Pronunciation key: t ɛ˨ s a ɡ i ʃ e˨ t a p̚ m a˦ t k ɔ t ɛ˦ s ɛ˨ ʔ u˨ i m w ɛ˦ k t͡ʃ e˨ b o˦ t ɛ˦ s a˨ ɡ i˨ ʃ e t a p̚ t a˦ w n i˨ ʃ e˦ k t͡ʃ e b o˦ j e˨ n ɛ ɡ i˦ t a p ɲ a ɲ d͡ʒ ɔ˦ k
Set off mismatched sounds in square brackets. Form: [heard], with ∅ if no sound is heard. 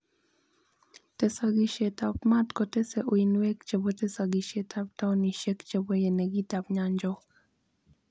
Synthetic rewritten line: t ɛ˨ s a ɡ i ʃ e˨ t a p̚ m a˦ t k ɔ t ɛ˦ s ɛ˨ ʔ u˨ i [n] w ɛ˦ k t͡ʃ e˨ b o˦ t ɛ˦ s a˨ ɡ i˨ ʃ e t a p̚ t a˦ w n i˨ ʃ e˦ k t͡ʃ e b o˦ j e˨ n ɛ ɡ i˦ t a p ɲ a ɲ d͡ʒ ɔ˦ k